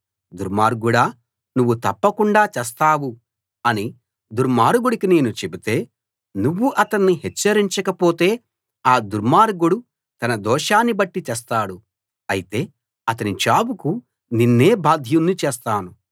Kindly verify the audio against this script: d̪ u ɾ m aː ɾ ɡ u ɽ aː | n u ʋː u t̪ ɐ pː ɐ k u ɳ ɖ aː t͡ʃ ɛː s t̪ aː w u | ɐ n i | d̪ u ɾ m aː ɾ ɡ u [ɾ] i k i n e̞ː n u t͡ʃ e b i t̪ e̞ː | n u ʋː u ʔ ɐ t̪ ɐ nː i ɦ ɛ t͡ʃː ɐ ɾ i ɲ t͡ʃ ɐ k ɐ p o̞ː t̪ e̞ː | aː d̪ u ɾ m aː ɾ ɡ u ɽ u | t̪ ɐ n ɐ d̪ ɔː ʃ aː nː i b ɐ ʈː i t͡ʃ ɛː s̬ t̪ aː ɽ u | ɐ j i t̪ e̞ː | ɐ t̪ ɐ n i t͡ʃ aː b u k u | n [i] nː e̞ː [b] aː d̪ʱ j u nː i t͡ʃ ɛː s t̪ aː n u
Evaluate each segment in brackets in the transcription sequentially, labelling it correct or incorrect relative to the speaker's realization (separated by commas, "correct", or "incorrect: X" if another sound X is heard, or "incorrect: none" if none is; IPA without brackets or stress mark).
incorrect: ɽ, correct, correct